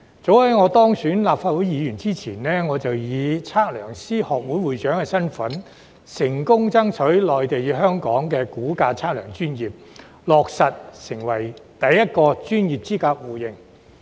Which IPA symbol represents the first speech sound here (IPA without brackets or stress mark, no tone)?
t͡s